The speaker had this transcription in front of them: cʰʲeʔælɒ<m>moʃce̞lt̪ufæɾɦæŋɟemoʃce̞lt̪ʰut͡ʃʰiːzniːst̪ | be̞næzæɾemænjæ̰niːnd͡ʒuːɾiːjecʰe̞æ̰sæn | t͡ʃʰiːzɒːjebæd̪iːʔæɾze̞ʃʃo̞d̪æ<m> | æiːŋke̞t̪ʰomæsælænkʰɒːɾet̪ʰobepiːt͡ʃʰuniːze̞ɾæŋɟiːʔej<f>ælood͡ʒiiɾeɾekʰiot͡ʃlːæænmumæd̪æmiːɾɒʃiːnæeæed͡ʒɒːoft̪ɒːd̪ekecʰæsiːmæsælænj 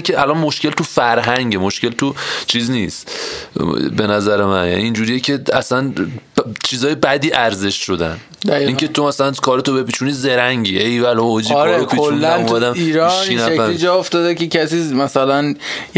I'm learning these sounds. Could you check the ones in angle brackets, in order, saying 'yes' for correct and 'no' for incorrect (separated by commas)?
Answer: no, no, no